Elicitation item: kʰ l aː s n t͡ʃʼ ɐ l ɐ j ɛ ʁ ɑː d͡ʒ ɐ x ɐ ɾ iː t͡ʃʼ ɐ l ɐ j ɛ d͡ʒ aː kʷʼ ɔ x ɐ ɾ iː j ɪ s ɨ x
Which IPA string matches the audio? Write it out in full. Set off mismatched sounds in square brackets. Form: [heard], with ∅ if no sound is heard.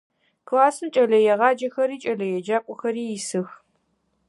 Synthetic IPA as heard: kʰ l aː s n t͡ʃʼ ɐ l ɐ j ɛ ʁ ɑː d͡ʒ ɐ x ɐ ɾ iː t͡ʃʼ ɐ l ɐ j ɛ d͡ʒ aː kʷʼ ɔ x ɐ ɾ iː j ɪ s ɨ x